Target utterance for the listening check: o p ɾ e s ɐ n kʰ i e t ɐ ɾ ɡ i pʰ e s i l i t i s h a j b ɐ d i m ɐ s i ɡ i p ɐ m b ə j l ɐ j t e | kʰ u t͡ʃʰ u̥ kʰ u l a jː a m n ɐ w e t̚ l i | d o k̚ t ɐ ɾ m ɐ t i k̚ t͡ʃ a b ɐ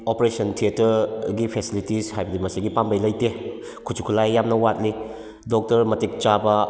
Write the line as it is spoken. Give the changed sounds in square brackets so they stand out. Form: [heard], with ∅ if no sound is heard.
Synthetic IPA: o p ɾ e s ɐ n [tʰ] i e t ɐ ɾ ɡ i pʰ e s i l i t i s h a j b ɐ d i m ɐ s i ɡ i p [a] m b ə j l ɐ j t e | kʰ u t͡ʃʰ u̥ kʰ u l a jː a m n ɐ w [a] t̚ l i | d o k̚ t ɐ ɾ m ɐ t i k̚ t͡ʃ a b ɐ